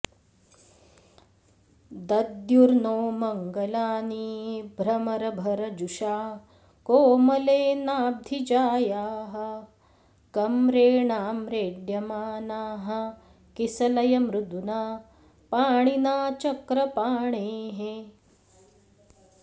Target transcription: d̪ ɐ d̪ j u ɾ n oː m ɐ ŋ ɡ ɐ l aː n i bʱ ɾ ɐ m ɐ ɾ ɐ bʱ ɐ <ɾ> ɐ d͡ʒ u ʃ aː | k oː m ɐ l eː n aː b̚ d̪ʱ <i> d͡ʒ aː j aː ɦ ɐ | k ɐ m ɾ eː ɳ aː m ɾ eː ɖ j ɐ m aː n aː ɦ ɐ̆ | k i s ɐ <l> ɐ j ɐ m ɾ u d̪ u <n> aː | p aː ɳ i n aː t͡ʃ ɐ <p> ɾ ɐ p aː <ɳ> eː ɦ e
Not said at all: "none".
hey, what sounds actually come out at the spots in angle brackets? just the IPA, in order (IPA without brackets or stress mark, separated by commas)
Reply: ɾ, i, l, n, k, ɳ